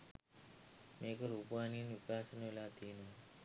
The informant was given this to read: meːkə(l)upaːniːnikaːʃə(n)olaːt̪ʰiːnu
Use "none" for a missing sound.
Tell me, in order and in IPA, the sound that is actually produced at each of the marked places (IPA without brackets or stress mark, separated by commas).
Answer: ɾ, n